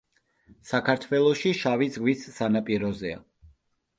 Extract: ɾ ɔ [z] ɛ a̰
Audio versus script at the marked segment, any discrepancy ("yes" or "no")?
no